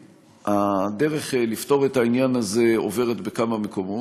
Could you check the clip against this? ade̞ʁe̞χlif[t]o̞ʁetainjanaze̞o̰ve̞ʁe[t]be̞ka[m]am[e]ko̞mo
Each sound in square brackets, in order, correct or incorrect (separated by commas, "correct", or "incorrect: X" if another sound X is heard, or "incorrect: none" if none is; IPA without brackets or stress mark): correct, correct, correct, correct